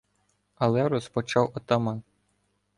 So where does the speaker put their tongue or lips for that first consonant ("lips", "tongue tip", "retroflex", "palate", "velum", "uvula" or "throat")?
tongue tip